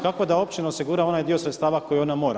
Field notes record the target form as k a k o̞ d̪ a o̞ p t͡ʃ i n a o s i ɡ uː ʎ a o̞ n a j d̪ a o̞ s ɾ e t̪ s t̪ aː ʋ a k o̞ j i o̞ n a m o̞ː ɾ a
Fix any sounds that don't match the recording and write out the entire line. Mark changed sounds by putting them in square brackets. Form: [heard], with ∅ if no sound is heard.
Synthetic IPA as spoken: k a k o̞ d̪ a o̞ p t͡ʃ i n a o s i ɡ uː [ɾ] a o̞ n a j d̪ [i] o̞ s ɾ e t̪ s t̪ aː ʋ a k o̞ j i o̞ n a m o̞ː ɾ a